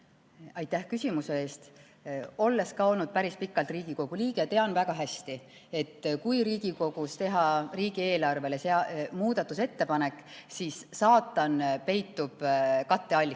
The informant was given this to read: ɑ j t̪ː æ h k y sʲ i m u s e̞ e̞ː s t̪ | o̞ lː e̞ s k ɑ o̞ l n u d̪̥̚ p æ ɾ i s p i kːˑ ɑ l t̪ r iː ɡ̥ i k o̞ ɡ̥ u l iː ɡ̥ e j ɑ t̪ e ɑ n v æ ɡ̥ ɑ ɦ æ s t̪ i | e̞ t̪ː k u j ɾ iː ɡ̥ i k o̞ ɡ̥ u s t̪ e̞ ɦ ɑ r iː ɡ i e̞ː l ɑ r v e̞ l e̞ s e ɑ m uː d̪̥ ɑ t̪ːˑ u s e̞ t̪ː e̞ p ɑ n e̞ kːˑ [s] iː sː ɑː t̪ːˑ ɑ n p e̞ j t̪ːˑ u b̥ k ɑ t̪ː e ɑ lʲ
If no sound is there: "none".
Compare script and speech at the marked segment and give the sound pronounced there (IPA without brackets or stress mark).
s